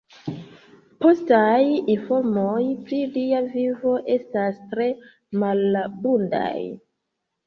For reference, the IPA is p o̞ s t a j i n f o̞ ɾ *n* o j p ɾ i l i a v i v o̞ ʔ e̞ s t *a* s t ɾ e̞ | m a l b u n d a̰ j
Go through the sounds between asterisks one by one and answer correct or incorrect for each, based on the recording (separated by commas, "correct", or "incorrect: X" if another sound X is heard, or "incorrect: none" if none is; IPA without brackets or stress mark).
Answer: incorrect: m, correct